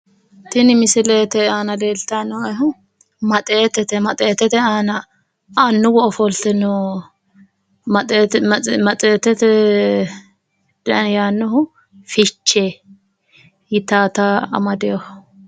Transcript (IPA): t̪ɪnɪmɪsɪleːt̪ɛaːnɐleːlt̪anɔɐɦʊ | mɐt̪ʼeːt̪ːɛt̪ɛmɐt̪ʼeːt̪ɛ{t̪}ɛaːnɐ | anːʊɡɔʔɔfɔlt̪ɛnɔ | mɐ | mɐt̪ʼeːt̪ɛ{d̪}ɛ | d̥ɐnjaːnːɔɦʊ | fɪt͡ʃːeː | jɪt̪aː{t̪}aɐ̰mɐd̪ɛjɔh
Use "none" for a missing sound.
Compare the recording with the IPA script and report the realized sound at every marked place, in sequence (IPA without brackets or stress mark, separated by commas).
t̪, t̪, t̪